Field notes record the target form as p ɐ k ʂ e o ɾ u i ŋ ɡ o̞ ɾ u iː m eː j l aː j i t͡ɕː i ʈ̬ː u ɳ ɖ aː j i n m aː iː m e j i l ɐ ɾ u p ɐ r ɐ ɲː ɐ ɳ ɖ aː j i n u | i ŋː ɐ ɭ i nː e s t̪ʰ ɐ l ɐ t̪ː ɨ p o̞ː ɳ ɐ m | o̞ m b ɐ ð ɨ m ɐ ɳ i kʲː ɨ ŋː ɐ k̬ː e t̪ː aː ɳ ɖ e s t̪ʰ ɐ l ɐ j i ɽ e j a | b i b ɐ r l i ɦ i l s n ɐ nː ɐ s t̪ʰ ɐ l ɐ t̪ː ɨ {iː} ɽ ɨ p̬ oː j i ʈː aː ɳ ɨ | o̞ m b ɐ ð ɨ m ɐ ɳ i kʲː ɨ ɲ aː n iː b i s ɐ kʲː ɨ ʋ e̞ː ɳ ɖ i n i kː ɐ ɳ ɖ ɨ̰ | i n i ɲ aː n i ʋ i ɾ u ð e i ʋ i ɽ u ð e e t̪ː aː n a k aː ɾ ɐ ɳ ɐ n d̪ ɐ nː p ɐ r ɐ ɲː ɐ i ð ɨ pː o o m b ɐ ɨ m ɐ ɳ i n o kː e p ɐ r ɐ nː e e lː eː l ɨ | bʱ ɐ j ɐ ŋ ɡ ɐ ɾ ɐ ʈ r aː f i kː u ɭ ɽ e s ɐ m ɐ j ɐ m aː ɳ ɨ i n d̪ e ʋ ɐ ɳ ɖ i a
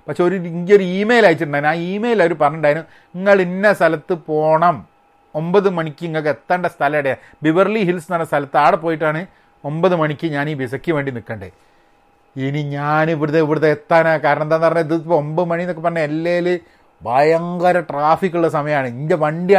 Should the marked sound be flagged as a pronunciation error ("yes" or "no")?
yes